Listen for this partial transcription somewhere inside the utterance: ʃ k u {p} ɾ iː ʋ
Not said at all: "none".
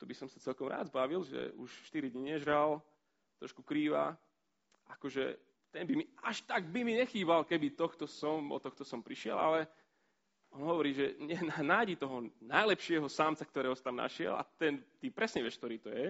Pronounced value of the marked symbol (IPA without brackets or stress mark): k